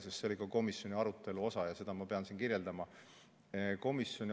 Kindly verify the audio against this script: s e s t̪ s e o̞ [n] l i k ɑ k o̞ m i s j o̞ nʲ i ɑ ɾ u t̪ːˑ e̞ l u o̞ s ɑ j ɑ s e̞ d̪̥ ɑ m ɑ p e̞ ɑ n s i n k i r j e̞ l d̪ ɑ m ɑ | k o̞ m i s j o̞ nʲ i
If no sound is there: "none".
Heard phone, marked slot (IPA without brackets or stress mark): none